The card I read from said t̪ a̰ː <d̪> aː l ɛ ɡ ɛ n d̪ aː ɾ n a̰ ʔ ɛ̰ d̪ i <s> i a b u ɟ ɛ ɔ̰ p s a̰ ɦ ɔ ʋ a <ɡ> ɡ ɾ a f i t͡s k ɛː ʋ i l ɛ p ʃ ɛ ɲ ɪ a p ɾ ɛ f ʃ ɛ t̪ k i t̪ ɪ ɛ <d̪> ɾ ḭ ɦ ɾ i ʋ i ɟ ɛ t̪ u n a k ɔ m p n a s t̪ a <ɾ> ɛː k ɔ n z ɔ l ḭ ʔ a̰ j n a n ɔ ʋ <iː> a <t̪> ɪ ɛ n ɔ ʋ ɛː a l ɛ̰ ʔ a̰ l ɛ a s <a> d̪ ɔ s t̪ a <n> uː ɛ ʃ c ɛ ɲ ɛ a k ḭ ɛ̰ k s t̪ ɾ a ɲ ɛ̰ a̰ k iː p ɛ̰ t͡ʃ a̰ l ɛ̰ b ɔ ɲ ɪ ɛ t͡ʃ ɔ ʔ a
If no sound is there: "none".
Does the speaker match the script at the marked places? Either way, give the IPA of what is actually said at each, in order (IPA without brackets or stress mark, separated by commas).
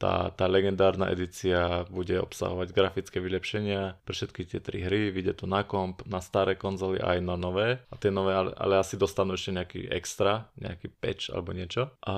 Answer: t̪, t͡s, ɟ, t̪, ɾ, ɛː, t̪, i, n